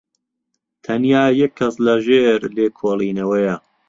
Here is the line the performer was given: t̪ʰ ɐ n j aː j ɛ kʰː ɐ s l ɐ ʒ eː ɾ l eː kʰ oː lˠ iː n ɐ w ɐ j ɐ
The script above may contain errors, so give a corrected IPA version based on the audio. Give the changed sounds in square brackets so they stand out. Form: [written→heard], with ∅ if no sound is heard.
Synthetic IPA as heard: t̪ʰ ɐ n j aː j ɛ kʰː ɐ s l ɐ ʒ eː ɾ l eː kʰ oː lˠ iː n ɐ w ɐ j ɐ